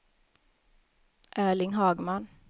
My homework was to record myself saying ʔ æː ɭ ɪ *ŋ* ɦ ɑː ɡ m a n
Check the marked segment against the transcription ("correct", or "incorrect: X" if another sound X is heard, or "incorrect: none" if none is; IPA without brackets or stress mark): correct